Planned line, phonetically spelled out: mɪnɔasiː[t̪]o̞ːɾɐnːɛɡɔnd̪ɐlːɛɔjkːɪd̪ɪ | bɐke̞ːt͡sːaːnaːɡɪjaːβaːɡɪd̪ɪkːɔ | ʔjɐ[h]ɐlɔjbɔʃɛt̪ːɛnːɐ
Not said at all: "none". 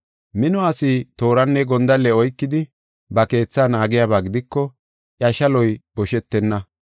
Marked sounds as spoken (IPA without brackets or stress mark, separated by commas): t̪, ʃ